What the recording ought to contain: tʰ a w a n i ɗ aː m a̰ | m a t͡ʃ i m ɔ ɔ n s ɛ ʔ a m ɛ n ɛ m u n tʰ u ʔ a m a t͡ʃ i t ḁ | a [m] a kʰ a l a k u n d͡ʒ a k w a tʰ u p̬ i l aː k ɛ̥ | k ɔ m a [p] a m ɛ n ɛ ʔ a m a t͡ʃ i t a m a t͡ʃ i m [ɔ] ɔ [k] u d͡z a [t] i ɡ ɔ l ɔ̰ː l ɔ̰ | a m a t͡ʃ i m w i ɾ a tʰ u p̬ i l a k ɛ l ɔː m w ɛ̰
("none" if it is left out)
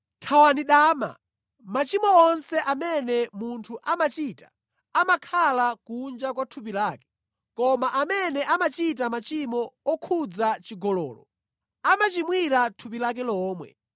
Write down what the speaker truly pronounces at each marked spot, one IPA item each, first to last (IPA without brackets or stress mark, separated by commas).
m, ʔ, ɔ, kʰ, t͡ʃ